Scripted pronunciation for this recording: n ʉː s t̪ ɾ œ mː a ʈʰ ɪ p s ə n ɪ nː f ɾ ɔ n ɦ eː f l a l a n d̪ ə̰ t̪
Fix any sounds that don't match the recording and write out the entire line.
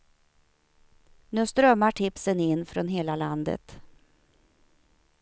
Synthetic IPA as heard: n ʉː s t̪ ɾ œ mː a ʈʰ ɪ p s ə n ɪ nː f ɾ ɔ n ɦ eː l a l a n d̪ ə̰ t̪